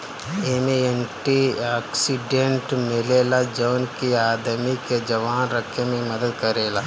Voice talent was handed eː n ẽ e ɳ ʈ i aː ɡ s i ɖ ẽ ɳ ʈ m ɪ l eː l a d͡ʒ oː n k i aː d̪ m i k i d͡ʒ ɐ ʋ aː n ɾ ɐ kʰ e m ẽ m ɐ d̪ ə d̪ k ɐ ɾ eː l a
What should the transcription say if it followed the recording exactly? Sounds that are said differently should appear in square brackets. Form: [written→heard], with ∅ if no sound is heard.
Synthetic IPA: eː [n→m] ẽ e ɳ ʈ i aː [ɡ→k] s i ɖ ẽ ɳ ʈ m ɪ l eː l a d͡ʒ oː n k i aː d̪ m i k [i→e] d͡ʒ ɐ ʋ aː n ɾ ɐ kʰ e m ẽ m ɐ d̪ ə d̪ k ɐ ɾ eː l a